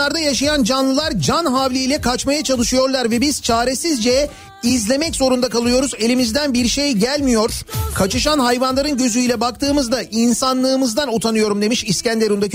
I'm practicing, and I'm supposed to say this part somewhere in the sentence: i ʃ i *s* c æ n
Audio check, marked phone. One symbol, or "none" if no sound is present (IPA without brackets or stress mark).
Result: s